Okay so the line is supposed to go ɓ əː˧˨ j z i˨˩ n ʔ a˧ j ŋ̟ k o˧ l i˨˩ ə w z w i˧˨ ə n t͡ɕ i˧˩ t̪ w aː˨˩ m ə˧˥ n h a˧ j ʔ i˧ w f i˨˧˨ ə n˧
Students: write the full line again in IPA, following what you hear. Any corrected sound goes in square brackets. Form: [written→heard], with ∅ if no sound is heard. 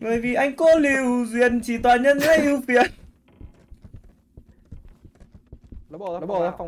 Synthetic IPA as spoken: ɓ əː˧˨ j [z→v] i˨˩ [n→∅] ʔ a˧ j ŋ̟ k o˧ l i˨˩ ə w z w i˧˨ ə n t͡ɕ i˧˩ t̪ w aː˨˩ [m→ɲ] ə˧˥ n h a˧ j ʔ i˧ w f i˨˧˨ ə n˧